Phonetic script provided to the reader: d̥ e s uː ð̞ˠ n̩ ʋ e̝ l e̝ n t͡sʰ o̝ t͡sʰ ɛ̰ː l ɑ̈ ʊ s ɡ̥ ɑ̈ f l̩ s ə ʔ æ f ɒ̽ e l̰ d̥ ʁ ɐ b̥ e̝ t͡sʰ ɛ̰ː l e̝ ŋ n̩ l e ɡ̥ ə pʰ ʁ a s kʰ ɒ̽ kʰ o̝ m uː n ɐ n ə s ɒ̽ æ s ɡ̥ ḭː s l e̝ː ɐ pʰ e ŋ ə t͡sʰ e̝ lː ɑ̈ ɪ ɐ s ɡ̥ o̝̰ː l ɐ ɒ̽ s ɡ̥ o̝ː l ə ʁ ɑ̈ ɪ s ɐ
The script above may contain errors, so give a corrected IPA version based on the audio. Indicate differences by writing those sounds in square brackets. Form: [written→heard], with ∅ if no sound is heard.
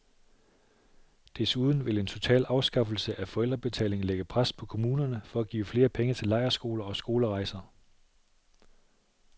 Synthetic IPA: d̥ e s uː ð̞ˠ n̩ ʋ e̝ l e̝ n t͡sʰ o̝ t͡sʰ ɛ̰ː l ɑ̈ ʊ s ɡ̥ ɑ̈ f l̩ s ə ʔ æ f ɒ̽ e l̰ d̥ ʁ ɐ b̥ e̝ t͡sʰ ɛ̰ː l e̝ ŋ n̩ l e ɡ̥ ə pʰ ʁ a s [kʰ→pʰ] ɒ̽ kʰ o̝ m uː n ɐ n ə [s→f] ɒ̽ æ [s→∅] ɡ̥ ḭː [s→f] l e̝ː ɐ pʰ e ŋ ə t͡sʰ e̝ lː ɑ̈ ɪ ɐ s ɡ̥ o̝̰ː l ɐ ɒ̽ s ɡ̥ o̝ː l ə ʁ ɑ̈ ɪ s ɐ